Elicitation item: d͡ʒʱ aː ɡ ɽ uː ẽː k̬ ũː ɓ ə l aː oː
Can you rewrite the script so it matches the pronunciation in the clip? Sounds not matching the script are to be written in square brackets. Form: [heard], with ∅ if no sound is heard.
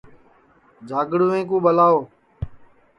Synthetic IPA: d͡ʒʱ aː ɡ ɽ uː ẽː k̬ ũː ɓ ə l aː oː